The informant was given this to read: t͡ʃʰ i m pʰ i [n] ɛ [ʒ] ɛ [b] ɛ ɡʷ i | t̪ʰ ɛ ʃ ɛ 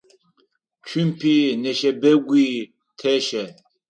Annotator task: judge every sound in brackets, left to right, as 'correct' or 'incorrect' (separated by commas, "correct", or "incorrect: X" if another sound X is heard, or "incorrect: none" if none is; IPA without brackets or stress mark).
correct, incorrect: ʃ, correct